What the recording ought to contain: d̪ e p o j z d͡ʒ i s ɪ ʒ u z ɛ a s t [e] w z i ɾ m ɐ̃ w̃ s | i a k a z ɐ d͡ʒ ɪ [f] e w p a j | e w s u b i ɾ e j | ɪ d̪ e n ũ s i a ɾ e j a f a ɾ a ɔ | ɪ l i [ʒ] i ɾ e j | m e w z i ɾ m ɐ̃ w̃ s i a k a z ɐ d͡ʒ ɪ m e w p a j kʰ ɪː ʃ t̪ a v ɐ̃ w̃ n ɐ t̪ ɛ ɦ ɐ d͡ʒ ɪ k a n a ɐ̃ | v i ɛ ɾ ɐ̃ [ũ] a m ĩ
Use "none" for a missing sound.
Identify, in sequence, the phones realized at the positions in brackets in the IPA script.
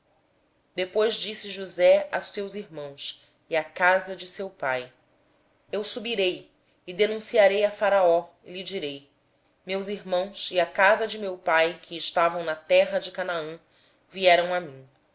e, s, d͡ʒ, w̃

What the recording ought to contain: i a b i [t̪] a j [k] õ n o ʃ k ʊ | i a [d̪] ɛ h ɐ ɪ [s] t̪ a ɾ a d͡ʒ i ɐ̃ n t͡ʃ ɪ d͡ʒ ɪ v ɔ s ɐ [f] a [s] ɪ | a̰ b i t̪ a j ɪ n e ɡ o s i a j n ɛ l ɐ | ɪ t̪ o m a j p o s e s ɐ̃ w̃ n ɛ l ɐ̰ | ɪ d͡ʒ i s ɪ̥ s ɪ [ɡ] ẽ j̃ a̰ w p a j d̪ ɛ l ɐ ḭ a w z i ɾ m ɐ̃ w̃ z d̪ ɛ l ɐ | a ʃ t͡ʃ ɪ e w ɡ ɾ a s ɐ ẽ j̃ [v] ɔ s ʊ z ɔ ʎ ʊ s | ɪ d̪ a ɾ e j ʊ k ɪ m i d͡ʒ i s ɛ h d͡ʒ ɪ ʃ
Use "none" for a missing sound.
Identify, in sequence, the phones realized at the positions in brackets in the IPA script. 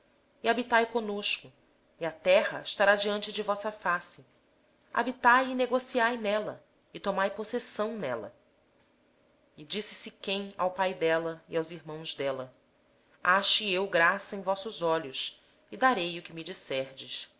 t̪, k, t̪, ʃ, f, s, k, v

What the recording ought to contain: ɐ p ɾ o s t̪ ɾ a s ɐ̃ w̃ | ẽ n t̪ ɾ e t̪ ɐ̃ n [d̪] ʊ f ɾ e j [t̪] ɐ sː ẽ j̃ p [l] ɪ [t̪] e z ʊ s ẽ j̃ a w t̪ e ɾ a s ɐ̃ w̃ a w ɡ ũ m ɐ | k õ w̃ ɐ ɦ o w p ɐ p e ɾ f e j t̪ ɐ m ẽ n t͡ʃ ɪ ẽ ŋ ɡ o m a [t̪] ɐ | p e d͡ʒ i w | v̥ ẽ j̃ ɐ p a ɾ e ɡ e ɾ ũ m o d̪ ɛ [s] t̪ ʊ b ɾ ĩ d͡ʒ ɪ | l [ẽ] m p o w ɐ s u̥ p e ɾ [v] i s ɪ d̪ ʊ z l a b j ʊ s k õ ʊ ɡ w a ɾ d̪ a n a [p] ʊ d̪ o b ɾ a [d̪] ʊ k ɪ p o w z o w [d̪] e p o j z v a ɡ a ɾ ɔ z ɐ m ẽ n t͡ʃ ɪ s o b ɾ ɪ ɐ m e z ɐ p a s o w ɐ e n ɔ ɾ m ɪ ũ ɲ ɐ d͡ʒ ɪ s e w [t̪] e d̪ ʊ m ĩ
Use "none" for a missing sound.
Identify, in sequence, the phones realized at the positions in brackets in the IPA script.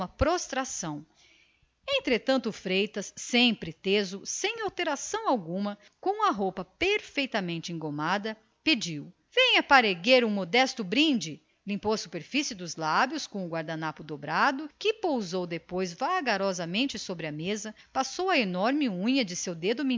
t̪, t̪, ɾ, t̪, d̪, s, ĩ, f, p, d̪, d̪, d̪

